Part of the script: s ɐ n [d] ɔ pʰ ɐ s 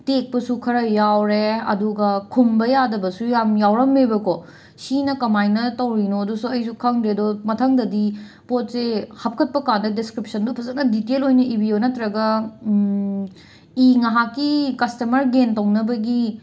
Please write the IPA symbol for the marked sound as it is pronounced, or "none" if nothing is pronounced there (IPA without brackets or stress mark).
d